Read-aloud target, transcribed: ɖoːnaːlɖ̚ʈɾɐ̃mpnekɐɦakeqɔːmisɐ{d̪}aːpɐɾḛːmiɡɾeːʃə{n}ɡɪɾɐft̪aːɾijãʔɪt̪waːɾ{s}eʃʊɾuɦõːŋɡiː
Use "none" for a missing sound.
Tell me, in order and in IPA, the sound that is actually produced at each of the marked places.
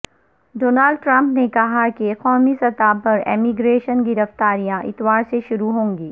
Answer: t̪, n, s

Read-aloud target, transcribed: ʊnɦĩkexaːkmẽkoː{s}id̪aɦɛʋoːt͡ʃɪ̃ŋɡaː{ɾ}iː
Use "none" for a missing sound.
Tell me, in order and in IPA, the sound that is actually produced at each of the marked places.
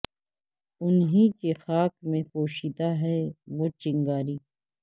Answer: ʃ, ɾ

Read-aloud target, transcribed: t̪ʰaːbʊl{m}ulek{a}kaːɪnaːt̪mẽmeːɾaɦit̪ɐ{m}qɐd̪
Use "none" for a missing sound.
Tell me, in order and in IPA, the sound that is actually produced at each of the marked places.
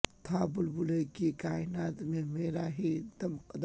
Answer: b, i, m

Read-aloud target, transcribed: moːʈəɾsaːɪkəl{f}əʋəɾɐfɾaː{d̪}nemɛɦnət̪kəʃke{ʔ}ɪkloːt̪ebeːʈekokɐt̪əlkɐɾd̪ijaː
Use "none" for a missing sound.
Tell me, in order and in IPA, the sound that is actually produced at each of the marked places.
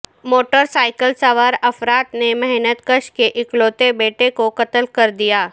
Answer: s, t̪, ʔ

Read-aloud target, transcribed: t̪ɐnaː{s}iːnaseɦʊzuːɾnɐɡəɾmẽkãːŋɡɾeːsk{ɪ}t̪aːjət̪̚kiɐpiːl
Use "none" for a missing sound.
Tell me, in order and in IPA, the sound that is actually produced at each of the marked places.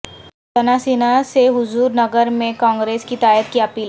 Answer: s, i

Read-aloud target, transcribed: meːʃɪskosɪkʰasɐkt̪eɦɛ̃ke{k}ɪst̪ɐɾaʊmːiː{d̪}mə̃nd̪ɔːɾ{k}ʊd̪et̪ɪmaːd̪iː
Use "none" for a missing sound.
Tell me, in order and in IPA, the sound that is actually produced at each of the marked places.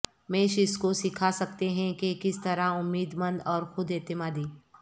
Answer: k, d̪, x

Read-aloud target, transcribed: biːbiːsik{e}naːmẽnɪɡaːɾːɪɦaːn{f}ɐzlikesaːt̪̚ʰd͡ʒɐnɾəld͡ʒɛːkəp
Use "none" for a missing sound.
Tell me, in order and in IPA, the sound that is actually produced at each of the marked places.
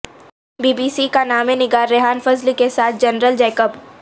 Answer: a, f

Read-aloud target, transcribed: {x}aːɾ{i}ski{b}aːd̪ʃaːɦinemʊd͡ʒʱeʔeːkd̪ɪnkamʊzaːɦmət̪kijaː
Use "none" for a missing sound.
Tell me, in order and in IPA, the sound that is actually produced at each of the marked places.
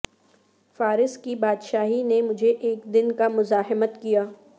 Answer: f, ɪ, b

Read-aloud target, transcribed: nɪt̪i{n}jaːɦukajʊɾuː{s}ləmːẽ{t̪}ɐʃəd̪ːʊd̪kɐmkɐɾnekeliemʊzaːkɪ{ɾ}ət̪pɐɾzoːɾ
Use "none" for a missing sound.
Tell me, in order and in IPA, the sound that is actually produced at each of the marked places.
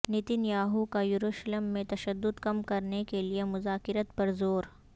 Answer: n, ʃ, t̪, ɾ

